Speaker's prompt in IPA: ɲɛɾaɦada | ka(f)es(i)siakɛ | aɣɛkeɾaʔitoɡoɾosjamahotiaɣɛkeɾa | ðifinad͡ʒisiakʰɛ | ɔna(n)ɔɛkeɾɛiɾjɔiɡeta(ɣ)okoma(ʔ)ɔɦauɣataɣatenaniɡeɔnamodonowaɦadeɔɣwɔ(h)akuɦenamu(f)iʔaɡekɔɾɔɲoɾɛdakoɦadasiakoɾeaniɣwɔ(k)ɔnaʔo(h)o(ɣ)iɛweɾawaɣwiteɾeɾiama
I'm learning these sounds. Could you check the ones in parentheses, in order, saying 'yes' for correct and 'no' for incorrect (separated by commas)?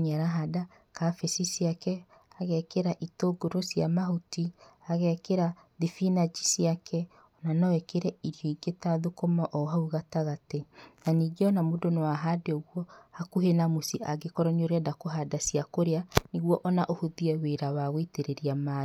yes, yes, yes, no, yes, yes, no, no, yes, no